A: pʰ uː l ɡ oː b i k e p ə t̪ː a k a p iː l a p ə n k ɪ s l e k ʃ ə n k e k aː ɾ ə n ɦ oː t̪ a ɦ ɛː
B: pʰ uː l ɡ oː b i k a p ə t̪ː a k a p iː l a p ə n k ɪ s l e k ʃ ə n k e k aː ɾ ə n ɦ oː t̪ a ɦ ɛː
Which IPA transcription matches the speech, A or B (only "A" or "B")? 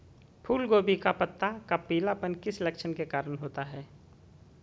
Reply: B